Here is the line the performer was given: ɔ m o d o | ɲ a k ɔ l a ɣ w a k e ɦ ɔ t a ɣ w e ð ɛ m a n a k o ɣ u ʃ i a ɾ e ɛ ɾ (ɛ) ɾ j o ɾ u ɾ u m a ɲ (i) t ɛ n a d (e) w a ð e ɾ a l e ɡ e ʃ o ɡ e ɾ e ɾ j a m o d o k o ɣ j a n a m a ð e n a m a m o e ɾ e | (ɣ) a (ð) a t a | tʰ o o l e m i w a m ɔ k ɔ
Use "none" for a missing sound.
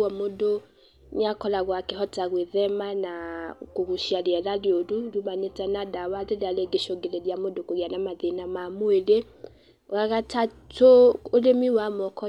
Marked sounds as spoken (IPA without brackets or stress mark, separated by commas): a, e, a, ɣ, ɣ